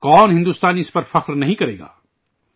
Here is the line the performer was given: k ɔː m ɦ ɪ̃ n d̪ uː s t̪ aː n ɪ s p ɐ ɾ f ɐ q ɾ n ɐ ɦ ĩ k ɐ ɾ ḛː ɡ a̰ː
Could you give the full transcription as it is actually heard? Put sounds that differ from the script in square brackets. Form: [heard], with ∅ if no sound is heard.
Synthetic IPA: k ɔː [n] ɦ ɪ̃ n d̪ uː s t̪ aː n ɪ s p ɐ ɾ f ɐ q ɾ n ɐ ɦ ĩ k ɐ ɾ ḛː ɡ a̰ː